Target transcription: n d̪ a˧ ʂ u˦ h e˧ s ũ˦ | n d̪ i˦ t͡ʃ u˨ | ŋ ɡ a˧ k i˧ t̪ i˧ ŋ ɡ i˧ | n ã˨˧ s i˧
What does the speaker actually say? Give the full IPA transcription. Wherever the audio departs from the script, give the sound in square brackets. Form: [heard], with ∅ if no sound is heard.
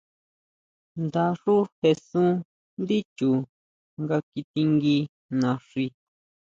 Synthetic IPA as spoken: n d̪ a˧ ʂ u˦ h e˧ s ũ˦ | n d̪ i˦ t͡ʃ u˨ | ŋ ɡ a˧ k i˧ t̪ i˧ ŋ ɡ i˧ | n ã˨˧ [ʂ] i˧